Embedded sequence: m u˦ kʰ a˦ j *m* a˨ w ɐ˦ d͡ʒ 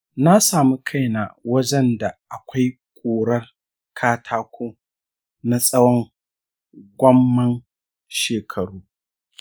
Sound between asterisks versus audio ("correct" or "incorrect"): incorrect